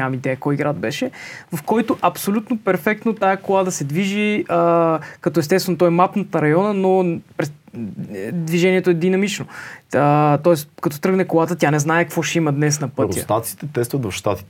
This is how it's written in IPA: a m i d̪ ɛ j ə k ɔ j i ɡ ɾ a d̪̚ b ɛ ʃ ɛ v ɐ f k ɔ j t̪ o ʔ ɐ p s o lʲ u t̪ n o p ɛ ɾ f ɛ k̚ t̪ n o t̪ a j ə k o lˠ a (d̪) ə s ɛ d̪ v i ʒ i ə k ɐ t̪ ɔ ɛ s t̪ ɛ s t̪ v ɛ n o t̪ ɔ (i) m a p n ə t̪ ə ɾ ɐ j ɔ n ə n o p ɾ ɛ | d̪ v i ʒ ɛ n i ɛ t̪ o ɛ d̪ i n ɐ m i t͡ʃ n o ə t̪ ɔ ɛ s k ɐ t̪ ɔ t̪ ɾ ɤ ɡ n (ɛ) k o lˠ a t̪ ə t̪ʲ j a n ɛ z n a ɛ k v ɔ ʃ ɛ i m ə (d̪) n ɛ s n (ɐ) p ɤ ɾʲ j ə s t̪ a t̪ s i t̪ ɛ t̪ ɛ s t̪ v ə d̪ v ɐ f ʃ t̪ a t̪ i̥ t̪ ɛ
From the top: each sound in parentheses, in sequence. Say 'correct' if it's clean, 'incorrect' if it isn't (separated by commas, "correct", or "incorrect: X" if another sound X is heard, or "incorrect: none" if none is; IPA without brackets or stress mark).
correct, incorrect: ɛ, correct, correct, correct